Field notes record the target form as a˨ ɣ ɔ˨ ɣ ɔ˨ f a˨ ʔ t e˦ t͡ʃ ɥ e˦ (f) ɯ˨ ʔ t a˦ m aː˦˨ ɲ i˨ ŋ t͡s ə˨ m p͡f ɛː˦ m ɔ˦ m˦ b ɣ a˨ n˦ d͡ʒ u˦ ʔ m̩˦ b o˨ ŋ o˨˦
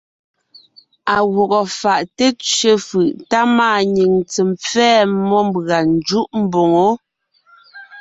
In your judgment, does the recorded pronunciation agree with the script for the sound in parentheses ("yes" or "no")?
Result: yes